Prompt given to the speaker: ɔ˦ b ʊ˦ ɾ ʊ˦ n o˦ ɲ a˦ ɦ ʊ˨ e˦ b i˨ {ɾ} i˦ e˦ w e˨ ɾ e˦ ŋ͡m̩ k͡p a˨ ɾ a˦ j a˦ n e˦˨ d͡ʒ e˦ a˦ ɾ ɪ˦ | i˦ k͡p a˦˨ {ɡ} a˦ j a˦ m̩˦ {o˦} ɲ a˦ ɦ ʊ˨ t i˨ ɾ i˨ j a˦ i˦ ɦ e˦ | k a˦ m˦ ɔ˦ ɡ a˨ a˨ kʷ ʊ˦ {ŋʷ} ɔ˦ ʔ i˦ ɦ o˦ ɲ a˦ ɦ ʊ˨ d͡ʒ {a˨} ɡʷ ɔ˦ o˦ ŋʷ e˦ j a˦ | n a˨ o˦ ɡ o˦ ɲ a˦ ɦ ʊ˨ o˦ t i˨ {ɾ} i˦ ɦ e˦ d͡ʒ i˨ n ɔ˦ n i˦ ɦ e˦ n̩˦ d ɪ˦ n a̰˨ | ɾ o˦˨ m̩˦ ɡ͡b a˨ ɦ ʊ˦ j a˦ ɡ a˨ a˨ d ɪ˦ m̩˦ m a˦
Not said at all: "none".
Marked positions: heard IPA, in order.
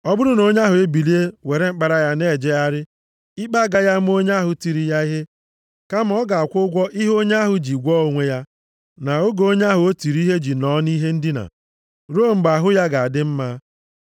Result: l, ɡ, o˦, ɡʷ, i˨, ɾ

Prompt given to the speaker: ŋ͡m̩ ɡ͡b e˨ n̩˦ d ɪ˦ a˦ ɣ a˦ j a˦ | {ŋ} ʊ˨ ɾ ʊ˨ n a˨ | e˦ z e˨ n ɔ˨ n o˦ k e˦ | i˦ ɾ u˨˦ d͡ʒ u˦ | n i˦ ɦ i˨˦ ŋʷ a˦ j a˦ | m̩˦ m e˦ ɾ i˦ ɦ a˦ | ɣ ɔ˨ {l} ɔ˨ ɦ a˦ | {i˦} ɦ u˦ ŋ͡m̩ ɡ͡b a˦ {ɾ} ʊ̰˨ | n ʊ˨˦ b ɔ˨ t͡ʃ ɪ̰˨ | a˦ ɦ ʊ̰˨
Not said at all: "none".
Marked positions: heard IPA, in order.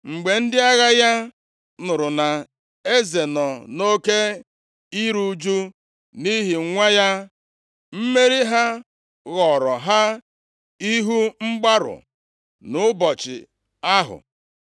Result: n, ɾ, i˦, ɾ

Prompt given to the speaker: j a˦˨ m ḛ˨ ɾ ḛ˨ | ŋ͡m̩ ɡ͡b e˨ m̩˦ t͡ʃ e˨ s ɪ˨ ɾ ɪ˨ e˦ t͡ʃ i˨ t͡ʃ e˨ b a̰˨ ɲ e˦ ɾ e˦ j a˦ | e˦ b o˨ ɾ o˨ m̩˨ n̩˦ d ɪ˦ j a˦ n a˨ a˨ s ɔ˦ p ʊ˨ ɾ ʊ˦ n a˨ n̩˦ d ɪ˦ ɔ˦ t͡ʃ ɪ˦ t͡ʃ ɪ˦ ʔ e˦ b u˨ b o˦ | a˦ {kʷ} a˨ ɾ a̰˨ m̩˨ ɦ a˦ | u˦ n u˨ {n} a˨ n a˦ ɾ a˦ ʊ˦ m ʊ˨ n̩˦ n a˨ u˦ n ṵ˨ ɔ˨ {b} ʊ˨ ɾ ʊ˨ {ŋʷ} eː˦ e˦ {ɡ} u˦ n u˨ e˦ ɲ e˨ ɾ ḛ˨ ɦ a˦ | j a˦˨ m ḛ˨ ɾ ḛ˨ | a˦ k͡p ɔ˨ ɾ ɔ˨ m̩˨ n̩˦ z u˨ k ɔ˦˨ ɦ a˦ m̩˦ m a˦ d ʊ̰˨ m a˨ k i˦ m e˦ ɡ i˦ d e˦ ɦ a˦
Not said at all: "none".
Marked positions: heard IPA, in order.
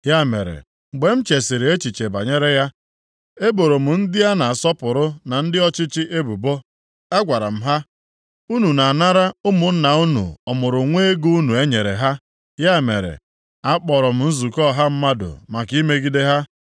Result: ɡʷ, n, m, ŋʷ, ɡ

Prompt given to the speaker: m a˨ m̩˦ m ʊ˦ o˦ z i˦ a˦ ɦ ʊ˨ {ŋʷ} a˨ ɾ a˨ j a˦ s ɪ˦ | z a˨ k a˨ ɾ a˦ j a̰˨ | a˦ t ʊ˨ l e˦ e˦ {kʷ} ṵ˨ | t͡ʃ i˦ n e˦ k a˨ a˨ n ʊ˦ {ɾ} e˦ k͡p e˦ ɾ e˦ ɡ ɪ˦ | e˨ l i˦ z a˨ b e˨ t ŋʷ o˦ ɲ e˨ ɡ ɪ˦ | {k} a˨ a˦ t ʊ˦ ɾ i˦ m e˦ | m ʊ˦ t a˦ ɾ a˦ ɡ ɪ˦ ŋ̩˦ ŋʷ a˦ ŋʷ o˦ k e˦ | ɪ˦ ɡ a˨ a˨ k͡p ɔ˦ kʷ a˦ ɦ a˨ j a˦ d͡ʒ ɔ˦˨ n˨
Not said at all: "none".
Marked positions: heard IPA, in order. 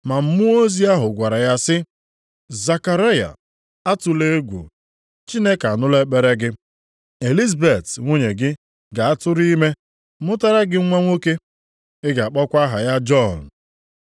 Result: ɡʷ, ɡʷ, l, ɡ

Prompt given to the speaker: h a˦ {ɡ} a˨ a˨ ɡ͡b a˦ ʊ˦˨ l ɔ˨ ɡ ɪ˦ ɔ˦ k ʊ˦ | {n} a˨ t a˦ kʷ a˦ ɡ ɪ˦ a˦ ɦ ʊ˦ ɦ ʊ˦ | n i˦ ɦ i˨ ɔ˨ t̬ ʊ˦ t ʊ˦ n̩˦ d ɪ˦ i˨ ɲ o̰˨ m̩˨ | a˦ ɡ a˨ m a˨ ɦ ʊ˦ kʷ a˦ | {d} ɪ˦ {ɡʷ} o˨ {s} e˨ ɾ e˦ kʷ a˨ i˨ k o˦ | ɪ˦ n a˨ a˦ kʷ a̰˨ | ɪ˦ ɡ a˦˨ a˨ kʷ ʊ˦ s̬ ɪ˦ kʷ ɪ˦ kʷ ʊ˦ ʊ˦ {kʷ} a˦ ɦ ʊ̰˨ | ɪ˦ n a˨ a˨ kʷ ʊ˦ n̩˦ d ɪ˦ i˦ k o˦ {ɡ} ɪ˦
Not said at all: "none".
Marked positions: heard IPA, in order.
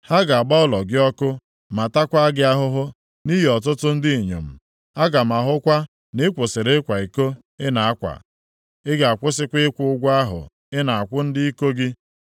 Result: ɡ, m, n, kʷ, s, ɡʷ, ɡ

